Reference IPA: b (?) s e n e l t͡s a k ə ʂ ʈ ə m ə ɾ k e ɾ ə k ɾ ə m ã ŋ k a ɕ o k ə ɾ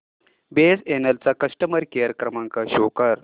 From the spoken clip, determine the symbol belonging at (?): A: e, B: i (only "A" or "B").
A